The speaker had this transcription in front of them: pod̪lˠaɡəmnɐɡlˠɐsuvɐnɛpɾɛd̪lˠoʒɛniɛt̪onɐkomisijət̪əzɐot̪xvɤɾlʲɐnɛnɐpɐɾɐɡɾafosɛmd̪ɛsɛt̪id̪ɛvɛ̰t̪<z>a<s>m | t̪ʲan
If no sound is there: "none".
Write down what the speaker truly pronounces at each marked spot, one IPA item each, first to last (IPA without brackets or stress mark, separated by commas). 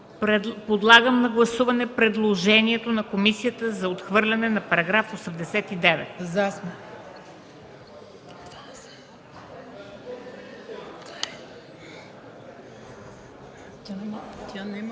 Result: z, s